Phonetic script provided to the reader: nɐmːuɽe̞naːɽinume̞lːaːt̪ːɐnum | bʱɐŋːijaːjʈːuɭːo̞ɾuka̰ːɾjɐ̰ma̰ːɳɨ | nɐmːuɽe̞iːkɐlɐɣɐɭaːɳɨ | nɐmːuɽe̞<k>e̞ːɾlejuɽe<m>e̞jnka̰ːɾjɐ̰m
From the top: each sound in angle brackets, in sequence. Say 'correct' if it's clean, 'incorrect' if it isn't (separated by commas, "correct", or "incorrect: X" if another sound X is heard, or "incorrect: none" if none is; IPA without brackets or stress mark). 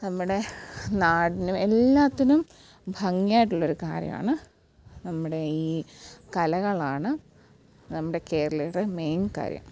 correct, correct